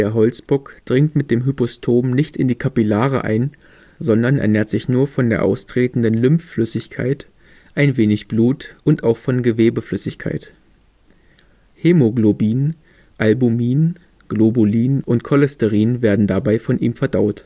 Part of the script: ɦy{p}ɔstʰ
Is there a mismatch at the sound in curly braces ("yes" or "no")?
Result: no